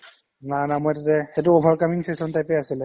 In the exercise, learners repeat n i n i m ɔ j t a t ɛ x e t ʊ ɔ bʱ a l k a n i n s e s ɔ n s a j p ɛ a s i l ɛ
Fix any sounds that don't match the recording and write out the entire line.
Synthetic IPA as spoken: n a n a m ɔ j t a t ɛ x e t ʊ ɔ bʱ a ɹ k a m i ŋ s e s ɔ n t a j p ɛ a s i l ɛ